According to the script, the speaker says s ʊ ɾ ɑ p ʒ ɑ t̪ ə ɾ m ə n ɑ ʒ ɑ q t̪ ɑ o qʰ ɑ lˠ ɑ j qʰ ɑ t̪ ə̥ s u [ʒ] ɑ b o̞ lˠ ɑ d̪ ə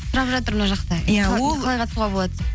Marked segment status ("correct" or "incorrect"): incorrect